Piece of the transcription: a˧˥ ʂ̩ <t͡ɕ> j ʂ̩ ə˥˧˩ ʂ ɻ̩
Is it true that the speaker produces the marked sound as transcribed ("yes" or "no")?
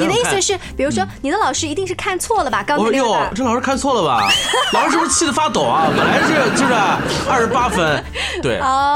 yes